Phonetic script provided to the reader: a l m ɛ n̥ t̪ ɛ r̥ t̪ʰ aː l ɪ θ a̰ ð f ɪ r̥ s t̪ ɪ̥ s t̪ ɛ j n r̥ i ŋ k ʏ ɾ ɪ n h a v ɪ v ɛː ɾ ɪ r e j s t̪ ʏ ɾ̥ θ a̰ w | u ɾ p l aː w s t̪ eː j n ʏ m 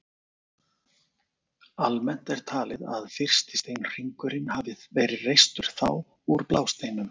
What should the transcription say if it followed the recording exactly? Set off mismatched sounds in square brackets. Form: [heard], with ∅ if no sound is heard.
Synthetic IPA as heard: a l m ɛ n̥ t̪ ɛ [ɾ̥] t̪ʰ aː l ɪ [ð] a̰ ð f ɪ r̥ s t̪ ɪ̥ s t̪ [e] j n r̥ i ŋ k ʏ ɾ ɪ n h a v ɪ v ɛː ɾ ɪ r e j s t̪ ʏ ɾ̥ θ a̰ w | u ɾ p l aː w s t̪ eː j n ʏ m